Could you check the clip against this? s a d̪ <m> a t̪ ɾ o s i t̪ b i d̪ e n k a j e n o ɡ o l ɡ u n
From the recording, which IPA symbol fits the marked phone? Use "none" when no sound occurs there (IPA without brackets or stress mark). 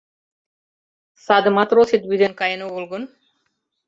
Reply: m